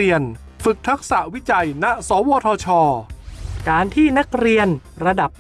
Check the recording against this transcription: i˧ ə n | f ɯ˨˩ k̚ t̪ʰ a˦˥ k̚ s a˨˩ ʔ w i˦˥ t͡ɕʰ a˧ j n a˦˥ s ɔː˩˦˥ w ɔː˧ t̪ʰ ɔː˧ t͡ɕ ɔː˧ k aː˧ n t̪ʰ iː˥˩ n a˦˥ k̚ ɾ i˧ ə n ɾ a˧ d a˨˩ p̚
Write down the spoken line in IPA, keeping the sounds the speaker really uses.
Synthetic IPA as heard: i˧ ə n | f ɯ˨˩ k̚ t̪ʰ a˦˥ k̚ s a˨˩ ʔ w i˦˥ t͡ɕ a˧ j n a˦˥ s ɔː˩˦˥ w ɔː˧ t̪ʰ ɔː˧ t͡ɕʰ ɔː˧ k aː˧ n t̪ʰ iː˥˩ n a˦˥ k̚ ɾ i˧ ə n ɾ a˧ d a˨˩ p̚